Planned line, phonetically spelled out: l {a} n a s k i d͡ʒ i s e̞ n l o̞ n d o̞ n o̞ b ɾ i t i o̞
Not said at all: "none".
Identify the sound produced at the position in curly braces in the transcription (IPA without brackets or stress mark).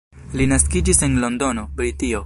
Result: i